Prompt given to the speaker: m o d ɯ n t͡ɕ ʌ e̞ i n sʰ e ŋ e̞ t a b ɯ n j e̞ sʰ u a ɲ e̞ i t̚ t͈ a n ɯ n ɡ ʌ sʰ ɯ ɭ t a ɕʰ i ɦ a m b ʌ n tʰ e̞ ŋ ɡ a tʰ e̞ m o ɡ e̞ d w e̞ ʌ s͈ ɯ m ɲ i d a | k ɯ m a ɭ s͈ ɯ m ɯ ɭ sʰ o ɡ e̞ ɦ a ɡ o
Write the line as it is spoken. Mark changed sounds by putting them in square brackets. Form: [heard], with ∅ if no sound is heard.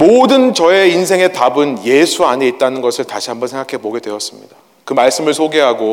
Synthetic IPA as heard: m o d ɯ n t͡ɕ ʌ e̞ i n sʰ e ŋ e̞ t a b ɯ n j e̞ sʰ u a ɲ e̞ i t̚ t͈ a n ɯ n ɡ ʌ sʰ ɯ ɭ t a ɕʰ i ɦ a m b ʌ n [sʰ] e̞ ŋ ɡ a [kʰ] e̞ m o ɡ e̞ d w e̞ ʌ s͈ ɯ m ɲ i d a | k ɯ m a ɭ s͈ ɯ m ɯ ɭ sʰ o ɡ e̞ ɦ a ɡ o